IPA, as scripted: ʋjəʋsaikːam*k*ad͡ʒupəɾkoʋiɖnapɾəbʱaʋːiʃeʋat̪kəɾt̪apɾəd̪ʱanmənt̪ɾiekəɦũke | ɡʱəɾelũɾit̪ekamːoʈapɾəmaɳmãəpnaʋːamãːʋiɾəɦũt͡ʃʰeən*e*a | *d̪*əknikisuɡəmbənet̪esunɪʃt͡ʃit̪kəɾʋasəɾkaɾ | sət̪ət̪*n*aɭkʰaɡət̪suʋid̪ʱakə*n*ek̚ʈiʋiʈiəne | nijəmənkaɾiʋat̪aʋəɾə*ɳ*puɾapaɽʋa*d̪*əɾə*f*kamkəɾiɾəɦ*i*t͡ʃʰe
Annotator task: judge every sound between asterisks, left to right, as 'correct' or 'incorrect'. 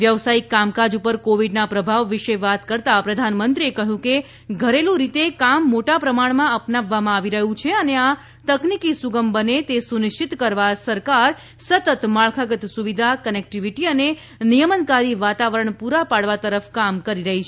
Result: correct, correct, incorrect, incorrect, correct, correct, incorrect, correct, correct

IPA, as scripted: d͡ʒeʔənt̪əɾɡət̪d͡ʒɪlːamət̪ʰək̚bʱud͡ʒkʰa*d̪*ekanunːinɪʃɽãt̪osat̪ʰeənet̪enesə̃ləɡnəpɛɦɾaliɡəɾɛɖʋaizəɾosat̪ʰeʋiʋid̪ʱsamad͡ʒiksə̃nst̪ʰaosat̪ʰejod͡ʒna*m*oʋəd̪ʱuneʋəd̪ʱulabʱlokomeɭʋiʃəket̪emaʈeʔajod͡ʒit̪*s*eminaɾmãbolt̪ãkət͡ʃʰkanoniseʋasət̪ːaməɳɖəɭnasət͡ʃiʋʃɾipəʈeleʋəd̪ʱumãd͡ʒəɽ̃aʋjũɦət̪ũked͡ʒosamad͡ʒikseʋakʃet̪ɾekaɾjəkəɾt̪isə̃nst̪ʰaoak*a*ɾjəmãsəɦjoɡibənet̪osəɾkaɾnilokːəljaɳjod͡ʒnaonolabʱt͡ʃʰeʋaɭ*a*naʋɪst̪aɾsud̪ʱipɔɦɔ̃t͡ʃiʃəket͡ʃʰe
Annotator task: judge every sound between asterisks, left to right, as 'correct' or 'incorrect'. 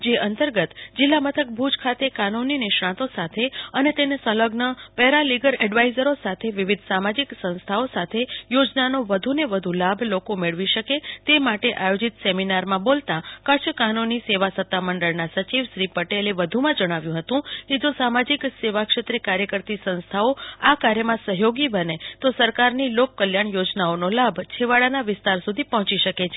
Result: incorrect, incorrect, correct, correct, correct

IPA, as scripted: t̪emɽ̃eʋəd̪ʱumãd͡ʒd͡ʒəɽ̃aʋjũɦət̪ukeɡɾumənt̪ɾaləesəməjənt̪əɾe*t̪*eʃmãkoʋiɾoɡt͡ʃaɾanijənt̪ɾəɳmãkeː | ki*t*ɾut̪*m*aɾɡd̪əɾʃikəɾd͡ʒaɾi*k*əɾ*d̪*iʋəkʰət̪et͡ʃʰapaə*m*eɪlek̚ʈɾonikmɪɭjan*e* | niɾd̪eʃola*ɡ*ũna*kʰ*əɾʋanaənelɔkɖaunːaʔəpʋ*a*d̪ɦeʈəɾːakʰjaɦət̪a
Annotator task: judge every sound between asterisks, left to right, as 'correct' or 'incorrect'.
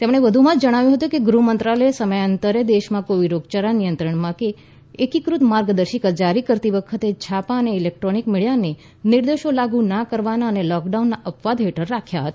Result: incorrect, incorrect, correct, correct, incorrect, incorrect, correct, correct, incorrect, correct

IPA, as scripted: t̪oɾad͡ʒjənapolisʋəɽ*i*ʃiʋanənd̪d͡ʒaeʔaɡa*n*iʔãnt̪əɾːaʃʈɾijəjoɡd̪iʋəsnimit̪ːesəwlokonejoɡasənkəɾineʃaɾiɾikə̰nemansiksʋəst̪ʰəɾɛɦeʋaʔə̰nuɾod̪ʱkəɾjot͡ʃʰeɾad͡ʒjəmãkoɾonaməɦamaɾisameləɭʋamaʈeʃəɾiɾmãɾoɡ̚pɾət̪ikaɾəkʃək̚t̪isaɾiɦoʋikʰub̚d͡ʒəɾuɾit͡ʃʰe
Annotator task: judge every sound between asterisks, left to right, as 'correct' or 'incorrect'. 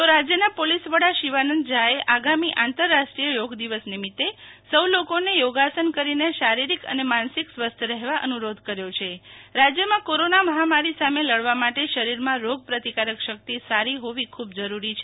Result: incorrect, incorrect

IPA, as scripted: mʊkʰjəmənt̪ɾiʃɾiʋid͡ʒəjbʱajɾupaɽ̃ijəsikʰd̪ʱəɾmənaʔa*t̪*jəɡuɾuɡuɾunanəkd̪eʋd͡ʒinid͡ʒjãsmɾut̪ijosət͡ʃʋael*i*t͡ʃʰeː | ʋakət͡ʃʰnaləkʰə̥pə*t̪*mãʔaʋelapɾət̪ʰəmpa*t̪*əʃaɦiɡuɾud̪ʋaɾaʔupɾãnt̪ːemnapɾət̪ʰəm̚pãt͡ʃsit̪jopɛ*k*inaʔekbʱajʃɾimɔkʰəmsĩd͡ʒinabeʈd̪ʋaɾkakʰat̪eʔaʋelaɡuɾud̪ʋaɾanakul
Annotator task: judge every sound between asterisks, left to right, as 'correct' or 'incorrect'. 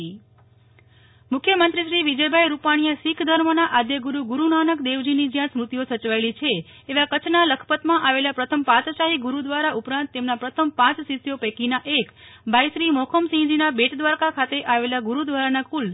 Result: incorrect, correct, correct, correct, correct

